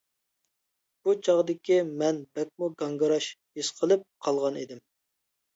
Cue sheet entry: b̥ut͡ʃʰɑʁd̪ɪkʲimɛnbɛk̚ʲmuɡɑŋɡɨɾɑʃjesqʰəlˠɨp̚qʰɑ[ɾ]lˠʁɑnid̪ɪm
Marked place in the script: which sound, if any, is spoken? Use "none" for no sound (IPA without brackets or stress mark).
none